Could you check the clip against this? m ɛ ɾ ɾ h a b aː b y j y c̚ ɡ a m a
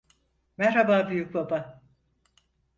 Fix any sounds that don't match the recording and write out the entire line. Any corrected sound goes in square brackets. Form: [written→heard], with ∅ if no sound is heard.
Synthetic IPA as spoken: m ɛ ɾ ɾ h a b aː b y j y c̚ [ɡ→b] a [m→b] a